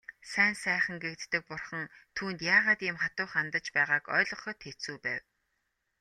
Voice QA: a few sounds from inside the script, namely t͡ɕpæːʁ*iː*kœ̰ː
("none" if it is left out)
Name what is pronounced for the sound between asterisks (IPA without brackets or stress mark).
aː